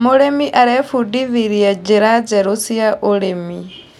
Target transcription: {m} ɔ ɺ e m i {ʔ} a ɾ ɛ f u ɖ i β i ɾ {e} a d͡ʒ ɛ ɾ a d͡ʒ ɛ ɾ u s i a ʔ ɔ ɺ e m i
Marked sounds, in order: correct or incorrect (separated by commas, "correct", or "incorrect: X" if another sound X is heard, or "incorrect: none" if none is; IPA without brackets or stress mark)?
correct, correct, incorrect: i